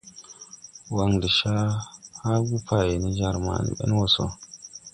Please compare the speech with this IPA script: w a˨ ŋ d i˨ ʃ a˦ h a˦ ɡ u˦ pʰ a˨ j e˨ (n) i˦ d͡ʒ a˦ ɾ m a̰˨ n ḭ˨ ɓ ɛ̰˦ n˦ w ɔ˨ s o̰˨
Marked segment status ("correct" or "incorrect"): correct